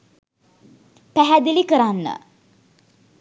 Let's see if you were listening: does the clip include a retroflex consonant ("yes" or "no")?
no